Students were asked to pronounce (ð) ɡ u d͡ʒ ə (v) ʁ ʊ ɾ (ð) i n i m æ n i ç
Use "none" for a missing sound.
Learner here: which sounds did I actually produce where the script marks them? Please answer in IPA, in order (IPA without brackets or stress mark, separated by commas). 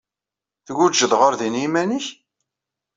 θ, ð, ð